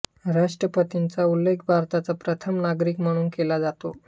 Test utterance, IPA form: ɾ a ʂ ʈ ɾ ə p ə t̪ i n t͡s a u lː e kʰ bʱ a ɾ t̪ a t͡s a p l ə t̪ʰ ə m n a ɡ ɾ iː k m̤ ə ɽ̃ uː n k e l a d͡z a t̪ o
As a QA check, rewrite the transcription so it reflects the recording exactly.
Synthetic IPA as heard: ɾ a ʂ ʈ ɾ ə p ə t̪ i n t͡s a u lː e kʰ bʱ a ɾ t̪ a t͡s a p ɾ ə t̪ʰ ə m n a ɡ ɾ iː k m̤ ə ɽ̃ uː n k e l a d͡z a t̪ o

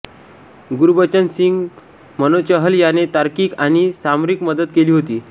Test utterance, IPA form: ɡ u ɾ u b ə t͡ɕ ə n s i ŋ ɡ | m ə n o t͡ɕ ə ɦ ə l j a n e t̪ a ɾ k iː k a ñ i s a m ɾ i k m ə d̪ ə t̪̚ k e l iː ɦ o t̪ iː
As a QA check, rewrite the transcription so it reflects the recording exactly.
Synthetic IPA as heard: ɡ u ɾ u b ə t͡ɕ ə n s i ŋ ɡ | m ə n o t͡ɕ ə ɦ ə l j a n e t̪ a ɾ k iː k a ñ i s a m ɾ i k m ə d̪ ə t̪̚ k e l iː ɦ o t̪ iː

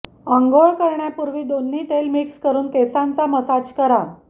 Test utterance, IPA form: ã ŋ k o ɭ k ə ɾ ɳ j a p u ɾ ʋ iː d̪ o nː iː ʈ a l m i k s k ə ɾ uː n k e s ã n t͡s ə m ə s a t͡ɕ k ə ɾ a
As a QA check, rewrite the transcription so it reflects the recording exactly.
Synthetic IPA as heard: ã ŋ ɡ o ɭ k ə ɾ ɳ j a p u ɾ ʋ iː d̪ o nː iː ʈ e l m i k s k ə ɾ uː n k e s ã n t͡s a m ə s a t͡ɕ k ə ɾ a

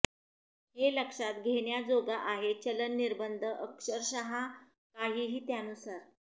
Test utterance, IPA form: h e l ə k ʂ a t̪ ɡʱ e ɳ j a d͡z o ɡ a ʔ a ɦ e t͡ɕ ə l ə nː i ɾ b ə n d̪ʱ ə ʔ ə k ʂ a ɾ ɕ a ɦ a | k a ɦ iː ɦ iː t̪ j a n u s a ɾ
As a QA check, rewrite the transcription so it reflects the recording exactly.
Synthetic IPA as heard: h e l ə k ʂ a t̪ ɡʱ e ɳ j a d͡z o ɡ a ʔ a ɦ e t͡ɕ ə l ə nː i ɾ b ə n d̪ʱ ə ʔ ə k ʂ ə ɾ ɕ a ɦ a | k a ɦ iː ɦ iː t̪ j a n u s a ɾ

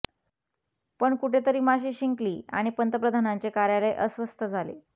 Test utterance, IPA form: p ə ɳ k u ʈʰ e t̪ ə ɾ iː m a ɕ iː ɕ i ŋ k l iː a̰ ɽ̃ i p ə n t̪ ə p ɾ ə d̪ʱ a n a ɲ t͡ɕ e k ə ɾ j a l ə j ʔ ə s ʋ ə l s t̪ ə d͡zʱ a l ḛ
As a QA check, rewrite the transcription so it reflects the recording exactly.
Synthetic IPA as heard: p ə ɳ k u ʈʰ e t̪ ə ɾ iː m a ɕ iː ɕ i ŋ k l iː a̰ ɽ̃ i p ə n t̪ ə p ɾ ə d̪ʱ a n a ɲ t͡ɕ e k a ɾ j a l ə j ʔ ə s ʋ ə s t̪ ə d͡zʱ a l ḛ

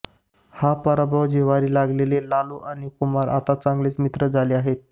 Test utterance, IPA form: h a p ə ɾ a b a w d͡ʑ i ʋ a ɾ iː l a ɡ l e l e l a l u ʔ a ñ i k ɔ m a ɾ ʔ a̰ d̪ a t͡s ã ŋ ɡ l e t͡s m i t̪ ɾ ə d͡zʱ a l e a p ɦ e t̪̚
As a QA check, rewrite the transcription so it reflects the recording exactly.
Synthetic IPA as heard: h a p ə ɾ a b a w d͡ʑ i ʋ a ɾ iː l a ɡ l e l e l a l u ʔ a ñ i k u m a ɾ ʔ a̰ t̪ a t͡s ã ŋ ɡ l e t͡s m i t̪ ɾ ə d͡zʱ a l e a ɦ e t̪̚

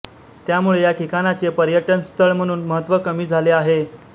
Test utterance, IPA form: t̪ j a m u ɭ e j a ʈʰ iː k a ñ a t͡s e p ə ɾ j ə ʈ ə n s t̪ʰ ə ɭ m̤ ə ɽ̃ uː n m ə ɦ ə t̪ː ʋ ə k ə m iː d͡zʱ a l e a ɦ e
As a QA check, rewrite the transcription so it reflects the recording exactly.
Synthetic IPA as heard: t̪ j a m u ɭ e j a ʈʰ i k a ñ a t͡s e p ə ɾ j ə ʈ ə n s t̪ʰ ə ɭ m̤ ə ɽ̃ uː n m ə ɦ ə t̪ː ʋ ə k ə m iː d͡zʱ a l e a ɦ e

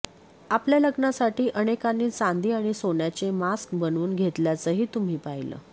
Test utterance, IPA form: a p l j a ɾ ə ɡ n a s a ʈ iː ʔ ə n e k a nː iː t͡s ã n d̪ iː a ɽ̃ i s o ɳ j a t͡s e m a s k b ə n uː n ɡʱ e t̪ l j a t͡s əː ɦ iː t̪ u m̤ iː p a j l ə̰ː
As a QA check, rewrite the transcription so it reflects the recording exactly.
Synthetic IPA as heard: a p l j a l ə ɡ n a s a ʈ iː ʔ ə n e k a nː iː t͡s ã n d̪ iː a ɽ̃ i s o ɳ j a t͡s e m a s k b ə n uː n ɡʱ e t̪ l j a t͡s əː ɦ iː t̪ u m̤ iː p a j l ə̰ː

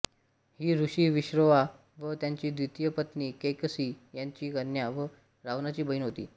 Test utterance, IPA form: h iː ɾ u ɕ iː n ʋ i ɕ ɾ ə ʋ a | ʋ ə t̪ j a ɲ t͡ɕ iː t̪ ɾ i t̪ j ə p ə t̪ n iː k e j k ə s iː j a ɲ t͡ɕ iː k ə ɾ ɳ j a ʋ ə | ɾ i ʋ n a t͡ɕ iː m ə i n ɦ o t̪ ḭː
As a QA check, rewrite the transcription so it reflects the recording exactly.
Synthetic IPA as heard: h iː ɾ u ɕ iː ʋ i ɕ ɾ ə ʋ a | ʋ ə t̪ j a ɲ t͡ɕ iː d̪ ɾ i t̪ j ə p ə t̪ n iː k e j k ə s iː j a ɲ t͡ɕ iː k ə ɾ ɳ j a ʋ ə | ɾ a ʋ n a t͡ɕ iː b ə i n ɦ o t̪ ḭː

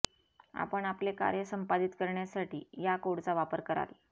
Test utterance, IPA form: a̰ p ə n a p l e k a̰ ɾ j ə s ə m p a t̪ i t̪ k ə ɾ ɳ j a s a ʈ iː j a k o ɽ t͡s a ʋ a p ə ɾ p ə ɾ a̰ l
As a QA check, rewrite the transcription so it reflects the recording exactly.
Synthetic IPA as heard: a̰ p ə ɳ a p l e k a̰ ɾ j ə s ə m p a d̪ i t̪ k ə ɾ ɳ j a s a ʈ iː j a k o ɽ t͡s a ʋ a p ə ɾ k ə ɾ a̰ l

